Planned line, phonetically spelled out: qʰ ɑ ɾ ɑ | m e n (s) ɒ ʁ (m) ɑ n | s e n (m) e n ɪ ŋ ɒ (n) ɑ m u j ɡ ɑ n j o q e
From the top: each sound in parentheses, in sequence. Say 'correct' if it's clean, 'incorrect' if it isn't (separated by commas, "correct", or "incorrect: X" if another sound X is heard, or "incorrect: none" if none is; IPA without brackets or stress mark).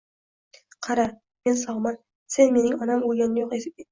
correct, correct, correct, correct